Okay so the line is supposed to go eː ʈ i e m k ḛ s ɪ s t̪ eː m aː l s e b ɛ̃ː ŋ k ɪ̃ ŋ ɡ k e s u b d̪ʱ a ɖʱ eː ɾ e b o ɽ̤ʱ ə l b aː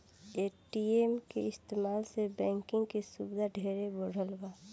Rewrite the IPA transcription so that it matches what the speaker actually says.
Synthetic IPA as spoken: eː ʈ i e m k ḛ ɪ s t̪ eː m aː l s e b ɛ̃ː ŋ k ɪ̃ ŋ ɡ k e s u b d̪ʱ a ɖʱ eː ɾ e b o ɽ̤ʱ ə l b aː